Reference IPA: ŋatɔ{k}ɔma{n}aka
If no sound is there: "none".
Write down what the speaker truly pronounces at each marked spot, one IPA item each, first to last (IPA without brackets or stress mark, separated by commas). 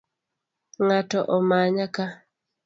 ʔ, ɲ